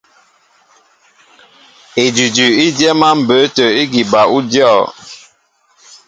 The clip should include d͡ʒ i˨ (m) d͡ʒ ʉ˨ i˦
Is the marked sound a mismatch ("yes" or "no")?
yes